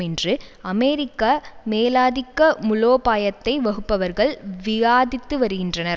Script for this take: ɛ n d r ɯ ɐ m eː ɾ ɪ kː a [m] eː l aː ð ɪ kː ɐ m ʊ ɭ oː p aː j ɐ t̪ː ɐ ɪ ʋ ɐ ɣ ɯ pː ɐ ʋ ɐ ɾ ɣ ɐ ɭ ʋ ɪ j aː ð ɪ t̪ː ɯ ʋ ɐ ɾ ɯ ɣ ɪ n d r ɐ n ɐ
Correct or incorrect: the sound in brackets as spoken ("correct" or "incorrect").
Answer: correct